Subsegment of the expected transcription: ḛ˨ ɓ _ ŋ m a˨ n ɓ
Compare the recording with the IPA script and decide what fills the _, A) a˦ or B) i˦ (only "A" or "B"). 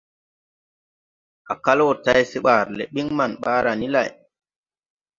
B